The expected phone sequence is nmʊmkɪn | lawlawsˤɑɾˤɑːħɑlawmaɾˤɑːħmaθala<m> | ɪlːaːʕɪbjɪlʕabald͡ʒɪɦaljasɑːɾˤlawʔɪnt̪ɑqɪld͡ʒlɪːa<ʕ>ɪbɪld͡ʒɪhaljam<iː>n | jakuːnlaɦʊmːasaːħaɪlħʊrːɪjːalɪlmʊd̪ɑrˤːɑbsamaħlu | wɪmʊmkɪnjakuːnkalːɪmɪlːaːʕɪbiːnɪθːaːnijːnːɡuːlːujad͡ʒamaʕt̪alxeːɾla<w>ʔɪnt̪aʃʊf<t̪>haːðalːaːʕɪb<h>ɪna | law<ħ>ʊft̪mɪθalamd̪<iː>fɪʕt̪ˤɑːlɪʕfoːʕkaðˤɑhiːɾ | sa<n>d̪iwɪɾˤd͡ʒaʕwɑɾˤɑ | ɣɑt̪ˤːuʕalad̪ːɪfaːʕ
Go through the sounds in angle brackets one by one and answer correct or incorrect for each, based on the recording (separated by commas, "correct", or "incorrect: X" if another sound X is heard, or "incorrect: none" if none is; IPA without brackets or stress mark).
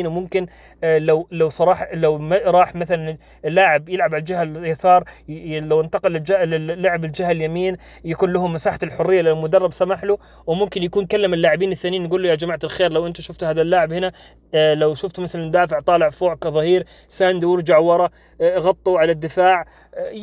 incorrect: n, correct, correct, correct, correct, correct, incorrect: ʃ, incorrect: aː, correct